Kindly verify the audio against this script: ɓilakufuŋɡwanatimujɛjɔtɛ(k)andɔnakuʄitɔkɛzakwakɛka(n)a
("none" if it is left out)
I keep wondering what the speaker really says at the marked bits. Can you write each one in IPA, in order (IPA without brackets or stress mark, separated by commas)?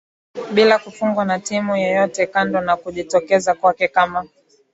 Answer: k, m